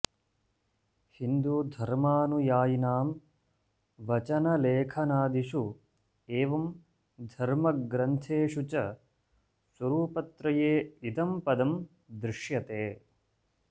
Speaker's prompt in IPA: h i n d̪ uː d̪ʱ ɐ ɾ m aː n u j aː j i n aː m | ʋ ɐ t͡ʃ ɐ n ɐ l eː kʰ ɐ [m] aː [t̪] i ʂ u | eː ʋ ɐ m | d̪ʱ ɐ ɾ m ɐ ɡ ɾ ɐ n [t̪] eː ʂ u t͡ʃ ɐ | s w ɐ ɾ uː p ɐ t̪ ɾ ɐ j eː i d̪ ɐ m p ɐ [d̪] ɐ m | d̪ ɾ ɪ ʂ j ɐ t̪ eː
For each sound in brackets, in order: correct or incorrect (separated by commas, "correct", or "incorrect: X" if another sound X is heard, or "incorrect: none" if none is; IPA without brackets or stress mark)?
incorrect: n, incorrect: d̪, incorrect: t̪ʰ, correct